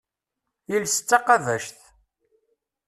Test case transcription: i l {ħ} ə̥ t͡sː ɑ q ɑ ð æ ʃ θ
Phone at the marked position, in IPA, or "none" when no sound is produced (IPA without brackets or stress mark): s